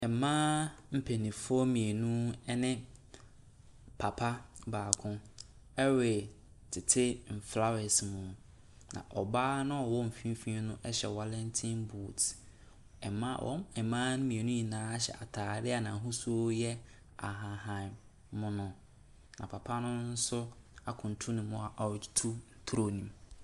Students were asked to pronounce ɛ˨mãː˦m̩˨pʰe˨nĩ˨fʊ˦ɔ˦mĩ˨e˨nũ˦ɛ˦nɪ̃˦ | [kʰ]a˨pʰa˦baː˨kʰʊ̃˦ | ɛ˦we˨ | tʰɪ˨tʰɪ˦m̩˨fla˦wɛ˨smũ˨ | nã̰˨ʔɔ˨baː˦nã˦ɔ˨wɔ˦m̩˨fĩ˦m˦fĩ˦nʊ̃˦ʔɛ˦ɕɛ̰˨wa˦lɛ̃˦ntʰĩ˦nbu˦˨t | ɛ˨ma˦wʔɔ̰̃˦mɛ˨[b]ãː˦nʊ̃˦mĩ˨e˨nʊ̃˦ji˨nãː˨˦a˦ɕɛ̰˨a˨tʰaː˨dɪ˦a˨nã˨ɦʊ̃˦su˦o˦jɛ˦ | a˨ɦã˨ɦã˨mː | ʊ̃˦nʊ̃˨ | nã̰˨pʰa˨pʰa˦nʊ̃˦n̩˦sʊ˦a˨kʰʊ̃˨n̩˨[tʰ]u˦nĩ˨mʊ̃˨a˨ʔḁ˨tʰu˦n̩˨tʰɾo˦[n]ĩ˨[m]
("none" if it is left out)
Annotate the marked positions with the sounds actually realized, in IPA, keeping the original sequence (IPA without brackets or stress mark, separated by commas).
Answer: pʰ, m, tʰ, n, m